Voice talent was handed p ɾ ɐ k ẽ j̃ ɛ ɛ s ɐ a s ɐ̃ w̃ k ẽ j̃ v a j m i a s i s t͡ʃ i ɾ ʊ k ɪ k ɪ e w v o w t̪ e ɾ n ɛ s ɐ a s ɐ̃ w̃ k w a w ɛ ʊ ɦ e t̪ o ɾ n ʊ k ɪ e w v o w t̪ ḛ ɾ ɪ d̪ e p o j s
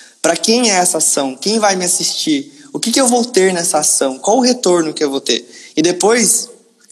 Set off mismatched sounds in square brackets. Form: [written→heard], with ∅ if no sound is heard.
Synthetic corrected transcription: p ɾ ɐ k ẽ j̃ ɛ ɛ s ɐ a s ɐ̃ w̃ k ẽ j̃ v a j m [i→ɪ] a s i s t͡ʃ i ɾ ʊ k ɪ k ɪ e w v o w t̪ e ɾ n ɛ s ɐ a s ɐ̃ w̃ k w a w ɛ ʊ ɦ e t̪ o ɾ n ʊ k ɪ e w v o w t̪ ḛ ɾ ɪ d̪ e p o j s